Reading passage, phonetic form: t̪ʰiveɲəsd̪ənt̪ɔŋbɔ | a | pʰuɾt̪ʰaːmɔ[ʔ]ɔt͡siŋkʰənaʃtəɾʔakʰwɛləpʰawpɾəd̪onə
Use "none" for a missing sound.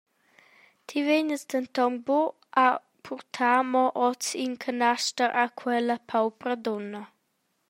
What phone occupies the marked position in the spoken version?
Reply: ʔ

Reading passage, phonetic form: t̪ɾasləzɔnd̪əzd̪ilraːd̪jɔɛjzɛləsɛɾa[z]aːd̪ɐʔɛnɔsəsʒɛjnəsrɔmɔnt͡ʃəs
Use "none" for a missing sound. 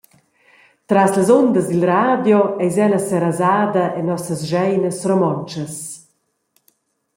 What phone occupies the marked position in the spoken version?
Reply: z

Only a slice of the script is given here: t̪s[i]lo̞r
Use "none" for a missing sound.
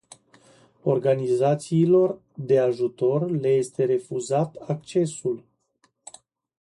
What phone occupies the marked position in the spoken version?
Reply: iː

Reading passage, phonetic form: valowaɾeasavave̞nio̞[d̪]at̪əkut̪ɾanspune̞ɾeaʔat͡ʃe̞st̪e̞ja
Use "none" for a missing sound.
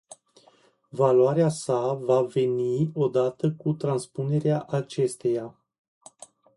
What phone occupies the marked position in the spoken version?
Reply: d̪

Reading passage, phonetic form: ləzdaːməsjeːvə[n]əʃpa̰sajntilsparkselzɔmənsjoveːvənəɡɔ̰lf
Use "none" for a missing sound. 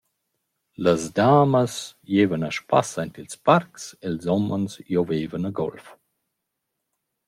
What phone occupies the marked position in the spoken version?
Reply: n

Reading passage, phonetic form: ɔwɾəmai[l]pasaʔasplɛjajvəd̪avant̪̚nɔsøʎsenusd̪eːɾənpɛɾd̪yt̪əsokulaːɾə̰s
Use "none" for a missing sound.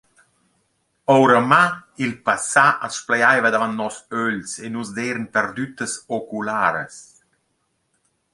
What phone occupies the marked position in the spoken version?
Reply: l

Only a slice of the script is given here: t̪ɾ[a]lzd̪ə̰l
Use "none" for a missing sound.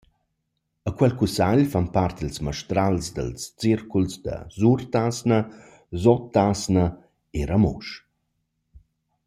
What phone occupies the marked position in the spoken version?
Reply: a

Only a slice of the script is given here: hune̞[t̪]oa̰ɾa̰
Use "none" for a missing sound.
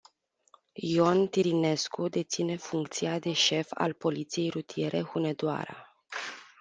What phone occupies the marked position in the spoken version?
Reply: d̪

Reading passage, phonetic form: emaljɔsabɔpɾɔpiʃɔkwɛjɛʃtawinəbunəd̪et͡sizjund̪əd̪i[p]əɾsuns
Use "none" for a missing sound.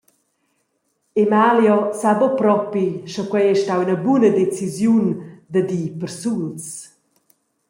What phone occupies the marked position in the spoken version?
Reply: p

